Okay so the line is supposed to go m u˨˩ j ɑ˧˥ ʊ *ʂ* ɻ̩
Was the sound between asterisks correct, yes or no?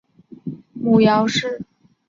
yes